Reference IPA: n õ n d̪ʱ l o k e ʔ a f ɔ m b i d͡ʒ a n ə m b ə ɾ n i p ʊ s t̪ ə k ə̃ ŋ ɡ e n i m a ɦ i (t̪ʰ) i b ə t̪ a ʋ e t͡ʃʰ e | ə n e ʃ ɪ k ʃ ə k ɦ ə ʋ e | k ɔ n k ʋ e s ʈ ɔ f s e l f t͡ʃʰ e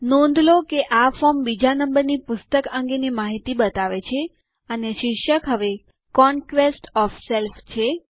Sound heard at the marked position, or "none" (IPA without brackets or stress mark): t̪